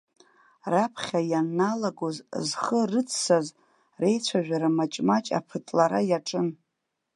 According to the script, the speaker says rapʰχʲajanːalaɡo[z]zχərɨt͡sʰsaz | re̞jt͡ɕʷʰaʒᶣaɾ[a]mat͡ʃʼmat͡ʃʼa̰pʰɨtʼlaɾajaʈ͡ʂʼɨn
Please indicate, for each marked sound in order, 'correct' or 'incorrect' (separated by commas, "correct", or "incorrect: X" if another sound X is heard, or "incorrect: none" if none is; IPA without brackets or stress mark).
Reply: correct, correct